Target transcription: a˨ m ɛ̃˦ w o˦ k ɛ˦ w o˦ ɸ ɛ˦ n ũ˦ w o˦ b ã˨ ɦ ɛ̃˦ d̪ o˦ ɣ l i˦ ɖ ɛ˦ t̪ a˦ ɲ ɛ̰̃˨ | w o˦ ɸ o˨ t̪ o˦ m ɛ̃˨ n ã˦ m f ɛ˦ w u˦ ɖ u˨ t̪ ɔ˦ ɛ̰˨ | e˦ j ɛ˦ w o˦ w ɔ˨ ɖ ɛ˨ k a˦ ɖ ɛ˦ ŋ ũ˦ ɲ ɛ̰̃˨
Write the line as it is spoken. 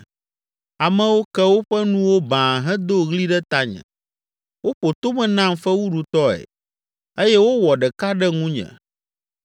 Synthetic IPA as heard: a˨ m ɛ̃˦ w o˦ k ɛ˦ w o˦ ɸ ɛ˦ n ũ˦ w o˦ b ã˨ ɦ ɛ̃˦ d̪ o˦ ɣ l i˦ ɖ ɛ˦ t̪ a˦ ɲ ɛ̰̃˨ | w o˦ ɸ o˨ t̪ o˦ m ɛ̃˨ n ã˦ m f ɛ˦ w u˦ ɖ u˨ t̪ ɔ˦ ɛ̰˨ | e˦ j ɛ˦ w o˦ w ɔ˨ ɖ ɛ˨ k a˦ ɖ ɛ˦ ŋ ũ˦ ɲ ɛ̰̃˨